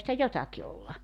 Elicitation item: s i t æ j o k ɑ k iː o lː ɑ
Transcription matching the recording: s i t æ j o t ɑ k i o lː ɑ